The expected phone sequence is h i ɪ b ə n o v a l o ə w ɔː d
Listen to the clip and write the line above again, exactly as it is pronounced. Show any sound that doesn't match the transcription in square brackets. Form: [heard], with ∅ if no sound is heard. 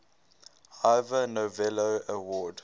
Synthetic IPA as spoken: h [a] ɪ [v] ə n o v [ɛ] l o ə w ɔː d

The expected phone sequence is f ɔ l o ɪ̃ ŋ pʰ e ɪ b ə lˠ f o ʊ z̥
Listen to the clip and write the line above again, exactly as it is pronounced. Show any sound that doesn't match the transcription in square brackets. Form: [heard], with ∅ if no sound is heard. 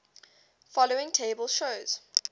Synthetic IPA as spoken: f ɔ l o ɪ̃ ŋ [tʰ] e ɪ b ə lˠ [ʃ] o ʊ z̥

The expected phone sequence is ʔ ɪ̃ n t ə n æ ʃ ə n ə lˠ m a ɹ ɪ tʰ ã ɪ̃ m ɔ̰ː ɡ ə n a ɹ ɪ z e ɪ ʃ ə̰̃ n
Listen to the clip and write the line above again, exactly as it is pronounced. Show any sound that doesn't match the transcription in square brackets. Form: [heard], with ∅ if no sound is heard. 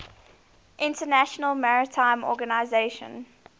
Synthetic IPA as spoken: ʔ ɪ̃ n t ə n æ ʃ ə n ə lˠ m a ɹ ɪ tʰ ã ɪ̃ m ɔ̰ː ɡ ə n a [∅] ɪ z e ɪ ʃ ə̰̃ n

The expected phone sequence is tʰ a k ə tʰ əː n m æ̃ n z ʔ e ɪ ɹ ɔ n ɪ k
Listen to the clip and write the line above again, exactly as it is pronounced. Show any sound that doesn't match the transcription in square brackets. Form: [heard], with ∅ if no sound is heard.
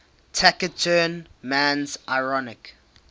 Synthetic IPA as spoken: tʰ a k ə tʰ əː n m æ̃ n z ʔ [a] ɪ ɹ ɔ n ɪ k

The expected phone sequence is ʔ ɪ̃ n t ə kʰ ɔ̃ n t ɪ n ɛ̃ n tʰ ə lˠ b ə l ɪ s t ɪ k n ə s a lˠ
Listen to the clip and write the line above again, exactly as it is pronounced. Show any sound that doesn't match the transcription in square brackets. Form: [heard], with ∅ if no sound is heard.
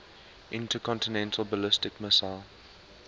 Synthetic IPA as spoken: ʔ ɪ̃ n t ə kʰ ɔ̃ n t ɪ n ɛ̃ n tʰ ə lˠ b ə l ɪ s t ɪ k [m] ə s a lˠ

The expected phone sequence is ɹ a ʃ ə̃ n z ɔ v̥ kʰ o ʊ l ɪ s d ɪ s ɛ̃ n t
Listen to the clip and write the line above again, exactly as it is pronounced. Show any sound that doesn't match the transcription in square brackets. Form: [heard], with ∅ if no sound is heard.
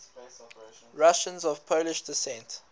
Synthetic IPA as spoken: ɹ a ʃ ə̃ n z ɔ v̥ [pʰ] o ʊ l ɪ [ʃ] d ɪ s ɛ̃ n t

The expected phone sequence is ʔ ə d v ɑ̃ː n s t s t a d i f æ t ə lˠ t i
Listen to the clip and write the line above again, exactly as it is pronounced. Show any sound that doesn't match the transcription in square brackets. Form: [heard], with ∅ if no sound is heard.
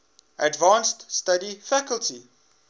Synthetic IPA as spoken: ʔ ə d v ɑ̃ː n s t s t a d i f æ [k] ə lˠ t i

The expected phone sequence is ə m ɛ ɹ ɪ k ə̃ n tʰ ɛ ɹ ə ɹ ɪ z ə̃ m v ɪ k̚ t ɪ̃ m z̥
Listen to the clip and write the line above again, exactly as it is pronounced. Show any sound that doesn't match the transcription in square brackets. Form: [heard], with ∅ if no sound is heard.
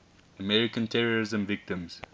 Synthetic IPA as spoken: ə m ɛ ɹ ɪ k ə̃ n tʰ ɛ ɹ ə ɹ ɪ z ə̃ m v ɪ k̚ t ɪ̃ m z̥

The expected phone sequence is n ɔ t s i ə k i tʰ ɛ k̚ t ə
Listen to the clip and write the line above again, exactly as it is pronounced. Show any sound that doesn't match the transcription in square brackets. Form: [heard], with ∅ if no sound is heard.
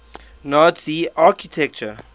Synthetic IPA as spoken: n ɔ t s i [a] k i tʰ ɛ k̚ [t͡ʃ] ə

